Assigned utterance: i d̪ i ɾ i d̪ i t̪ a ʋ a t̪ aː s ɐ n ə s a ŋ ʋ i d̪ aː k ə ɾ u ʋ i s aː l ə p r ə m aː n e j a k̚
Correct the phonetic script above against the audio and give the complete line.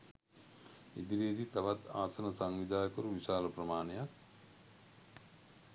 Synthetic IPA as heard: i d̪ i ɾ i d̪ i t̪ a ʋ a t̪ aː s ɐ n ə s a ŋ ʋ i d̪ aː k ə ɾ u ʋ i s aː l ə p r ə m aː n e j a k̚